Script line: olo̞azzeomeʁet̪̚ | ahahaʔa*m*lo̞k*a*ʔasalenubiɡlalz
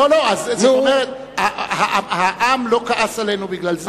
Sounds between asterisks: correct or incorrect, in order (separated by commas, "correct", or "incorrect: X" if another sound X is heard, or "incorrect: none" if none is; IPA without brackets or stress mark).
correct, correct